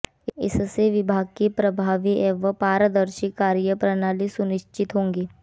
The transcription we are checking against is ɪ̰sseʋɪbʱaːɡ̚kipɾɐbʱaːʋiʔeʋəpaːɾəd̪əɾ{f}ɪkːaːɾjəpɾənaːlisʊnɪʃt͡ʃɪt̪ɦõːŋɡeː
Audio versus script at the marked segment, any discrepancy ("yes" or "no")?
yes